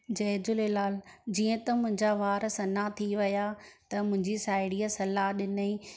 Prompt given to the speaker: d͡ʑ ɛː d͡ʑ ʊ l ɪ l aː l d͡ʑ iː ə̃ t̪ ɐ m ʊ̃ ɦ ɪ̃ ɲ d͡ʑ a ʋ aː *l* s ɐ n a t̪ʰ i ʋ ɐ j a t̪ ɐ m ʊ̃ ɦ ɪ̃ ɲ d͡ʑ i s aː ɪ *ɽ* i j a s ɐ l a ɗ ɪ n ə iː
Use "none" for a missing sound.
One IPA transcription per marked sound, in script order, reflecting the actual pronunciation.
ɾ, ɽ

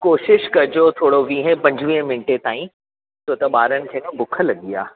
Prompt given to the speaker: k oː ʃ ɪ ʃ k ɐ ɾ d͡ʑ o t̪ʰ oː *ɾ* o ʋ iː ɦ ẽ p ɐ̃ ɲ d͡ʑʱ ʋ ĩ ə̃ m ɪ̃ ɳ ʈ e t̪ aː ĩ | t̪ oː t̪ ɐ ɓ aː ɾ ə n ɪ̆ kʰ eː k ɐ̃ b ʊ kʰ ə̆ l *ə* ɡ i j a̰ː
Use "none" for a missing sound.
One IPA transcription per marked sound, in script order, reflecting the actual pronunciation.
ɽ, ɐ

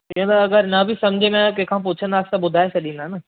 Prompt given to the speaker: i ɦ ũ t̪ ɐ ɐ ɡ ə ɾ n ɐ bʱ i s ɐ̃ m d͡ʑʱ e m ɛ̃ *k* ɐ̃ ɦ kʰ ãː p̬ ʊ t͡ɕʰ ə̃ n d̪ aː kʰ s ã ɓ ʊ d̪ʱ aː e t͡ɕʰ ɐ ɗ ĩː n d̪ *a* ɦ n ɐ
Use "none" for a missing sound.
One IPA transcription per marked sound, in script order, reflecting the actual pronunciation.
k, a

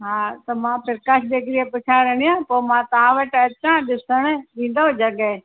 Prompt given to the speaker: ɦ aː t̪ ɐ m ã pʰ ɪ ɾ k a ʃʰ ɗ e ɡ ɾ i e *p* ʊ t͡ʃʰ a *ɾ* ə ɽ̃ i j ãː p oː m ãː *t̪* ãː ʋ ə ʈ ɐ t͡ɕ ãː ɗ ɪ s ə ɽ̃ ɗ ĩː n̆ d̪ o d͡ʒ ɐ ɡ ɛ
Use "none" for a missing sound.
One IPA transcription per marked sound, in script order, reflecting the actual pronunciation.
p, ɾ, t̪

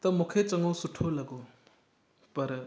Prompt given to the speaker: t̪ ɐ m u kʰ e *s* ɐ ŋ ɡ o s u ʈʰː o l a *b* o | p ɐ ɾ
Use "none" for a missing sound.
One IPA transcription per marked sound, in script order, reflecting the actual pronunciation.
t͡s, ɡ

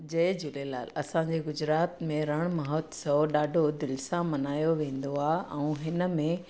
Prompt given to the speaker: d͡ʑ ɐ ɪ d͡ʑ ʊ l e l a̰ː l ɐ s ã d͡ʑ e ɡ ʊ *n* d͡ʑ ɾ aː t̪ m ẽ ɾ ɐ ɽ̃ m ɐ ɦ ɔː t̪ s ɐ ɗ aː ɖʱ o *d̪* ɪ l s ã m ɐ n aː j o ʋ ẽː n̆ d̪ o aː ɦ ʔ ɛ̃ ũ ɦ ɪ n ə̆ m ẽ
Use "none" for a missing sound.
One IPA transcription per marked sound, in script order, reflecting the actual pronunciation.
none, d̪

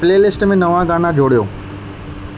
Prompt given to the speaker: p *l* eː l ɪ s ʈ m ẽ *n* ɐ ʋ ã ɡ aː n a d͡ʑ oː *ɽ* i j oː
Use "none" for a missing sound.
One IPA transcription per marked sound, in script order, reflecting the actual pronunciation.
l, n, ɽ

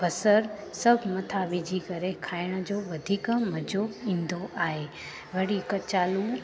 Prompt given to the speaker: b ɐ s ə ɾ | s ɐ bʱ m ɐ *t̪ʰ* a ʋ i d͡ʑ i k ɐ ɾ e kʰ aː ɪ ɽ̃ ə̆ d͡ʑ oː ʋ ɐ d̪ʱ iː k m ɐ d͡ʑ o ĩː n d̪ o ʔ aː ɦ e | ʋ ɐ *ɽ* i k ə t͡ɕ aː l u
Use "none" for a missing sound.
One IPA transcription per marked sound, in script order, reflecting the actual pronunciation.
t̪ʰ, ɽ

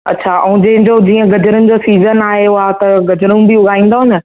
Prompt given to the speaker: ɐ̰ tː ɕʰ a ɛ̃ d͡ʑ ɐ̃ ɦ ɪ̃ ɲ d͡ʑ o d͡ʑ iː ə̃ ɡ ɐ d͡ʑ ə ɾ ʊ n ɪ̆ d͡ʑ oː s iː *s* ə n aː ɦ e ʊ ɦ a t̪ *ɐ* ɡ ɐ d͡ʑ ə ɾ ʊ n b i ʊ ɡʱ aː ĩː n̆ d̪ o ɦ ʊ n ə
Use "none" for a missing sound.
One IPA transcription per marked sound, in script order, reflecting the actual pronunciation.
z, ɐ

